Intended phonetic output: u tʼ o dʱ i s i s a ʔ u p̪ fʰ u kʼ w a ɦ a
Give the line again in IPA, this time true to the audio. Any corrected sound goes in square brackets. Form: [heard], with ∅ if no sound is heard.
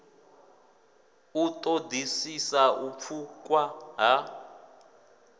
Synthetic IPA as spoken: u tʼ o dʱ i s i s a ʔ u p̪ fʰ u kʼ w a ɦ a

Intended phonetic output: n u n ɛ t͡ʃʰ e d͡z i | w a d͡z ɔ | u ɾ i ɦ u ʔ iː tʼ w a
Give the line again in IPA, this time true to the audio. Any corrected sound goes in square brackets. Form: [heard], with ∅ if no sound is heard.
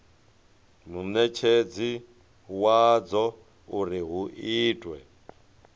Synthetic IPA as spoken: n u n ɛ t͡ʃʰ e d͡z i | w a d͡z ɔ | u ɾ i ɦ u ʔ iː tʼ w [ɛ]

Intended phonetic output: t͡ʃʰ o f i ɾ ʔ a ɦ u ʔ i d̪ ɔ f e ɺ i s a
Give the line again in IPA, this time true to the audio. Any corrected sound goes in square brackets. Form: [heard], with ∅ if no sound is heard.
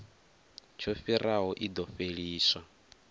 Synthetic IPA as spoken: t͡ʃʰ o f i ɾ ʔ a ɦ [ɔ] ʔ i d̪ ɔ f e ɺ [iː] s a

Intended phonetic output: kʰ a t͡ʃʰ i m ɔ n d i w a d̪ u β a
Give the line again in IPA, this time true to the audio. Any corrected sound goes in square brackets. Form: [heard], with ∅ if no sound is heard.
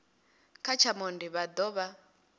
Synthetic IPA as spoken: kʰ a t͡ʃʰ [a] m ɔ n d i [β] a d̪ [ɔ] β a

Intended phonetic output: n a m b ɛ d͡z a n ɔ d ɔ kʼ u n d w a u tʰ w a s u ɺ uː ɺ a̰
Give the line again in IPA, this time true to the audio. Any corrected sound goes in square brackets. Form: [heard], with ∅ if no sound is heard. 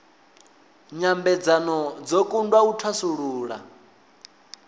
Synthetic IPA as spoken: [ɲ] a m b ɛ d͡z a n ɔ [d͡z] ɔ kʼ u n d w a u tʰ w a s u ɺ uː ɺ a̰

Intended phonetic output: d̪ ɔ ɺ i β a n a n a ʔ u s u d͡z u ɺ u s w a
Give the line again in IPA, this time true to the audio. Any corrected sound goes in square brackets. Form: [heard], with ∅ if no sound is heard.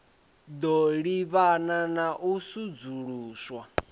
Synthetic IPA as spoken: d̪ ɔ ɺ i β a n a n a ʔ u s u d͡z u ɺ [uː] s w a

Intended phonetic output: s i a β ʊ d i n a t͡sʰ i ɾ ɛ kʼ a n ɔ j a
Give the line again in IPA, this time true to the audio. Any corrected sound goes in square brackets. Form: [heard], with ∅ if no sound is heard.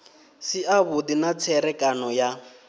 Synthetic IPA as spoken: s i a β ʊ d i n a t͡sʰ [ɛ] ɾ ɛ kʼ a n ɔ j a

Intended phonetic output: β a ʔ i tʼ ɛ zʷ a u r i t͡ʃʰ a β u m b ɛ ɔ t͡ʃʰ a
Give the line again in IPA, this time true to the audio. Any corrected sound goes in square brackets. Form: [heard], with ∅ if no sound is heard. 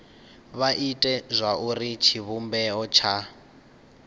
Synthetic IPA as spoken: β a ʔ i tʼ ɛ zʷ a u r i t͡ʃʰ [i] β u m b ɛ ɔ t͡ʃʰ a

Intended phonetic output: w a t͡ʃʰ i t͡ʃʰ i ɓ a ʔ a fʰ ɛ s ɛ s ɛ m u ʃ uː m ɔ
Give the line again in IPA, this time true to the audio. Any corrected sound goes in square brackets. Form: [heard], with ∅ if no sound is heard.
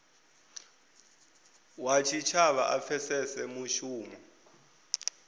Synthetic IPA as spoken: w a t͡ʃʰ i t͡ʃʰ [a] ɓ a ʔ a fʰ ɛ s ɛ s ɛ m u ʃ uː m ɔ

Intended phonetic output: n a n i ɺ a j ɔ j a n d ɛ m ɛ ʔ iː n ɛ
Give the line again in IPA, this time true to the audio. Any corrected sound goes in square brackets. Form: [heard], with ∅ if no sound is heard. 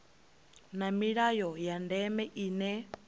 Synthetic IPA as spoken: n a [m] i ɺ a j ɔ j a n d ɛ m ɛ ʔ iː n ɛ

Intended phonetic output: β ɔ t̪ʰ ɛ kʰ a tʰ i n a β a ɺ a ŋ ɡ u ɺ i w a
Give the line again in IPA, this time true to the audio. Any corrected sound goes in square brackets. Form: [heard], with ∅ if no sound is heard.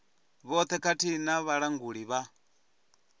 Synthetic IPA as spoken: β ɔ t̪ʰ ɛ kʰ a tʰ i n a β a ɺ a ŋ ɡ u ɺ i [β] a

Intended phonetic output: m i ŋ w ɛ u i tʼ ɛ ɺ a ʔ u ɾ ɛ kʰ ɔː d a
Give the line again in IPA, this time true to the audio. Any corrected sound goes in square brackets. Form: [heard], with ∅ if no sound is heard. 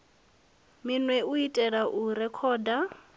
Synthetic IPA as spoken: m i [n] w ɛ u i tʼ ɛ ɺ a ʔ u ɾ ɛ kʰ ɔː d a

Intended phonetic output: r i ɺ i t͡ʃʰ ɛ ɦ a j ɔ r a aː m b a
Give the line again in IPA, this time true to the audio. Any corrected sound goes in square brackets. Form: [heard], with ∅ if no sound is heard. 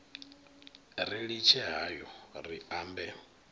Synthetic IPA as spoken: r i ɺ i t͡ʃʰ ɛ ɦ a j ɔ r [i] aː m b [ɛ]

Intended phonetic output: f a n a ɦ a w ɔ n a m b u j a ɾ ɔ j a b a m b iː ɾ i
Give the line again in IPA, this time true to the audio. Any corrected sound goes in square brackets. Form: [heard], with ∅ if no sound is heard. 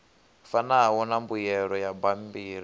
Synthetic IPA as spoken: f a n a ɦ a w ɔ n a m b u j [ɛ] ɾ ɔ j a b a m b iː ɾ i

